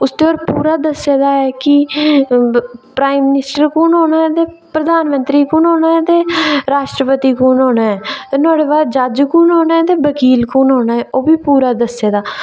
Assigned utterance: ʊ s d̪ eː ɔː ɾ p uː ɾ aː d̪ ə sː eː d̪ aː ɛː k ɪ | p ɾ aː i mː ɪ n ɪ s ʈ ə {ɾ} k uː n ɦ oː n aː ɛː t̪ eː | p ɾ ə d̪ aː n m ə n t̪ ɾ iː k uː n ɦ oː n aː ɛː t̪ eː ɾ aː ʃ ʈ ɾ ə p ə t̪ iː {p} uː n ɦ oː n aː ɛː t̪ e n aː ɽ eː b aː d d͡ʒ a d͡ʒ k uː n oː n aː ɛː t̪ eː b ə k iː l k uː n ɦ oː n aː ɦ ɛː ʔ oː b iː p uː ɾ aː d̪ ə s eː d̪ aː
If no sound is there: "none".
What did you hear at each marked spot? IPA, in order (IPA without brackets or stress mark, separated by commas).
ɾ, k